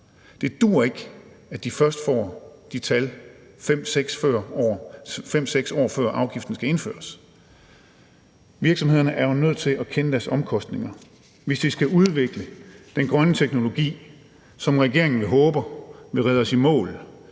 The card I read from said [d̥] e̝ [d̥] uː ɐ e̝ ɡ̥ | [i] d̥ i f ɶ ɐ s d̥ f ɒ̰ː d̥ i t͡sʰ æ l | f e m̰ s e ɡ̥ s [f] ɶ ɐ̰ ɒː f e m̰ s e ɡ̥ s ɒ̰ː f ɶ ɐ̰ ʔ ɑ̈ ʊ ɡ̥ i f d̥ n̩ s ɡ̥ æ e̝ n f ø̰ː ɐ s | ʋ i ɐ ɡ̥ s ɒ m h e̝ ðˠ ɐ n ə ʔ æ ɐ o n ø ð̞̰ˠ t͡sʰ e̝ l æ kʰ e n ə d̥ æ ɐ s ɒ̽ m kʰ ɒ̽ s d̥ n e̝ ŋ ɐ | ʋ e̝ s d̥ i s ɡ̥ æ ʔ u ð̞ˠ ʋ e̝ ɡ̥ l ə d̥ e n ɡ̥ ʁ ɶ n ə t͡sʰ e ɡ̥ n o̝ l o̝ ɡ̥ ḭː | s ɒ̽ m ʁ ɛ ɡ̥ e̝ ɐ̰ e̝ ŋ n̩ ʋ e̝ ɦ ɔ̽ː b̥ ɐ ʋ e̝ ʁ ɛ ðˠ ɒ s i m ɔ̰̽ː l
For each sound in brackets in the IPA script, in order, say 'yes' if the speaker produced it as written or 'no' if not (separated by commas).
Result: yes, yes, no, yes